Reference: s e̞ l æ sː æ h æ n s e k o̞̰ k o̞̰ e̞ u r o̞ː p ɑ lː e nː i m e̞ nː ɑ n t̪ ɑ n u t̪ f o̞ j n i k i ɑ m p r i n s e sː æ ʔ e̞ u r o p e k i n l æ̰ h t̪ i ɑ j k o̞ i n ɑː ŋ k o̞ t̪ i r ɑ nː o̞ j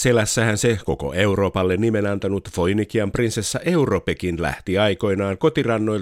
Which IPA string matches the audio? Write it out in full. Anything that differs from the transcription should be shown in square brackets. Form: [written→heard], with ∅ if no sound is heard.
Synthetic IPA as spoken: s e̞ l æ sː æ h æ n s e k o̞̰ k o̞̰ e̞ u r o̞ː p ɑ lː e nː i m e̞ [nː→n] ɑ n t̪ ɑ n u t̪ f o̞ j n i k i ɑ m p r i n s e sː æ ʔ e̞ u r o p e k i n l æ̰ h t̪ i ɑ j k o̞ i n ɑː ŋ k o̞ t̪ i r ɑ nː o̞ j